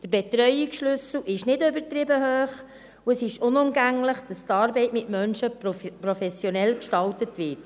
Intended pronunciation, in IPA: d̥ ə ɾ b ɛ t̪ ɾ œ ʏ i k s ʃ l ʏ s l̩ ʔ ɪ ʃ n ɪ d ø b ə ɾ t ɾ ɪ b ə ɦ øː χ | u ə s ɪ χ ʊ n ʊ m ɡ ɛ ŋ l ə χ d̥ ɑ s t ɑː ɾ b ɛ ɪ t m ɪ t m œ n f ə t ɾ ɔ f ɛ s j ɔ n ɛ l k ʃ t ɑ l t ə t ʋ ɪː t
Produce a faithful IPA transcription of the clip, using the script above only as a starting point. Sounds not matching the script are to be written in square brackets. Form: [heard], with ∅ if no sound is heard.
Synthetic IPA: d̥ ə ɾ b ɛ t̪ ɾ œ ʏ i k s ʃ l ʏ s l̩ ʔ ɪ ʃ n ɪ d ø b ə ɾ t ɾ ɪ b ə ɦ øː χ | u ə s ɪ [ʃ] ʊ n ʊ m ɡ [æ] ŋ l ə χ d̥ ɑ s t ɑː ɾ b ɛ ɪ t m ɪ t m œ n [ʃ] ə [p] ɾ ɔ f ɛ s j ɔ n ɛ l k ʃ t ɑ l t ə t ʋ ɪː t